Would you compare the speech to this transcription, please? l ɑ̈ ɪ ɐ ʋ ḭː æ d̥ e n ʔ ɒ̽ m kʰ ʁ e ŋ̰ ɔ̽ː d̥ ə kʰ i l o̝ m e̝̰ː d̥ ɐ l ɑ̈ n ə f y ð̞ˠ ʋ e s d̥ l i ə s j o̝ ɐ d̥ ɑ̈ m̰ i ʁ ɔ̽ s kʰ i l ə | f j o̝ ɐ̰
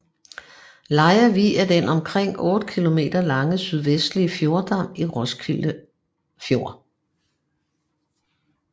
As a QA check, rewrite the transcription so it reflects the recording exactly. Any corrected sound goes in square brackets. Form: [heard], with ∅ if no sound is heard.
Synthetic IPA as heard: l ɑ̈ ɪ ɐ ʋ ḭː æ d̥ e n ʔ ɒ̽ m kʰ ʁ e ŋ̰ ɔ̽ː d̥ ə kʰ i l o̝ m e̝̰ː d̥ ɐ l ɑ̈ [ŋ] ə [s] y ð̞ˠ ʋ e s d̥ l i ə [f] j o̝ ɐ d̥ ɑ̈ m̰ i ʁ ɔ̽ s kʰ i l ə | f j o̝ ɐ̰